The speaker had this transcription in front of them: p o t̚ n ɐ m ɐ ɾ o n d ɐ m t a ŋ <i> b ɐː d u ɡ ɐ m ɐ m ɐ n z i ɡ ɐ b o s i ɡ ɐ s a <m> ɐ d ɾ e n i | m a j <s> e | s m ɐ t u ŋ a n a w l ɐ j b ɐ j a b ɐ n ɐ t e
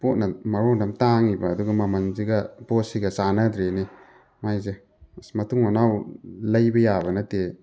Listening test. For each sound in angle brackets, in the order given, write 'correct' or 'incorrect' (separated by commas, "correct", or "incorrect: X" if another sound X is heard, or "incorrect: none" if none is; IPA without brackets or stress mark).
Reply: correct, incorrect: n, incorrect: z